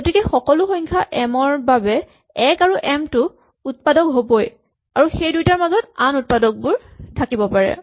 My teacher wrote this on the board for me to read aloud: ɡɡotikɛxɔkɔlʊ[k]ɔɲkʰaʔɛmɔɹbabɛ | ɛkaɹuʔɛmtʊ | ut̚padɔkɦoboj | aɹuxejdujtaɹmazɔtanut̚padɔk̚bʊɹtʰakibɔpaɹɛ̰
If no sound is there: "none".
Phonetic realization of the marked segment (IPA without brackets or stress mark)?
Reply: x